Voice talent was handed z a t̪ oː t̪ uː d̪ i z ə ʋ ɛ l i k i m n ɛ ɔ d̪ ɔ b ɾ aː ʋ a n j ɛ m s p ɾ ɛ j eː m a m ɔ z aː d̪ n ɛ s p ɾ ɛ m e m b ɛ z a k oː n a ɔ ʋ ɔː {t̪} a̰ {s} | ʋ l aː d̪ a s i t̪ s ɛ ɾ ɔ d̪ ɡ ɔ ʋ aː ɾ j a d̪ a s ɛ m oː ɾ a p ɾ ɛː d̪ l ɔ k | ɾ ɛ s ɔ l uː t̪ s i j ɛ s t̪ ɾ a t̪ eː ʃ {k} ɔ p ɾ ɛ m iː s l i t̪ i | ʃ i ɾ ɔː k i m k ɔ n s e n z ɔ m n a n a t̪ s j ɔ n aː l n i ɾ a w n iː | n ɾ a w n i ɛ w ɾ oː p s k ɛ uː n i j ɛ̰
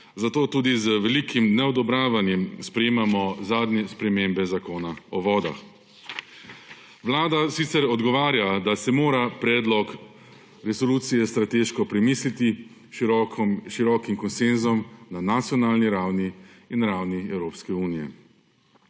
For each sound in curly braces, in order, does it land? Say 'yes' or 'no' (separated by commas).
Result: no, no, yes